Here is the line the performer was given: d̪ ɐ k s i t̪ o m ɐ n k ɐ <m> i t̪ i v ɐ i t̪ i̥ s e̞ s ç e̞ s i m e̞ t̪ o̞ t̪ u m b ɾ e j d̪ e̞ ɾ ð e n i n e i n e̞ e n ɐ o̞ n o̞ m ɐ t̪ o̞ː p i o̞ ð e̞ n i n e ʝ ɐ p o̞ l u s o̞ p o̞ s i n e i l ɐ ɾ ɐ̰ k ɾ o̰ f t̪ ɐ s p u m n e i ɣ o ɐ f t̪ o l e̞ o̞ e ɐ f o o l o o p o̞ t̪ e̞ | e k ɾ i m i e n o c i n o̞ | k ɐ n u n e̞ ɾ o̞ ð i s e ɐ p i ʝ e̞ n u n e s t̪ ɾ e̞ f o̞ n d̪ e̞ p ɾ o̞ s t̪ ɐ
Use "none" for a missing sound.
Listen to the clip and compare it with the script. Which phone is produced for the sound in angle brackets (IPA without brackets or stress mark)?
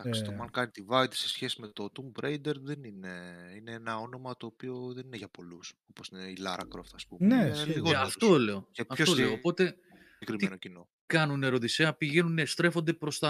n